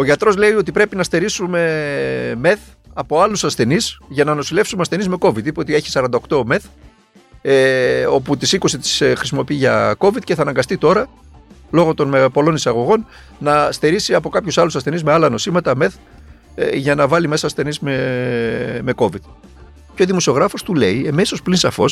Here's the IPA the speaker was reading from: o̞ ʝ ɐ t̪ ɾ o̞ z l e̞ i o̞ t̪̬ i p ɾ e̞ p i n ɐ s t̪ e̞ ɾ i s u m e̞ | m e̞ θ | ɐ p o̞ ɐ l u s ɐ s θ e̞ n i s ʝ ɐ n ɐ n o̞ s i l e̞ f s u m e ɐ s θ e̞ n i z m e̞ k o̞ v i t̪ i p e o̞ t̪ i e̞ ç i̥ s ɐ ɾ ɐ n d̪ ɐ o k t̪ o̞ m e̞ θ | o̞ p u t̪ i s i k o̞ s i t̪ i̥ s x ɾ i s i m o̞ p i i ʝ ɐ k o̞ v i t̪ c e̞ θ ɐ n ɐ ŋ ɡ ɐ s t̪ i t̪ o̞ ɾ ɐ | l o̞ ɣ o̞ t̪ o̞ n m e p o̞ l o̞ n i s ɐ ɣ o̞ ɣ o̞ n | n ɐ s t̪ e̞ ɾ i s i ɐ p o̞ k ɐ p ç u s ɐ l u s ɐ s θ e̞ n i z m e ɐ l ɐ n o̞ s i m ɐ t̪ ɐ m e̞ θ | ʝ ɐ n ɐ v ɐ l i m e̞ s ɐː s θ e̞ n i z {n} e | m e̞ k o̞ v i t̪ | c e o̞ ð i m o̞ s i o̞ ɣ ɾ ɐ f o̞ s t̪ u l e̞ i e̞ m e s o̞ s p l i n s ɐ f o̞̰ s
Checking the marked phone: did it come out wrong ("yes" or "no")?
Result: yes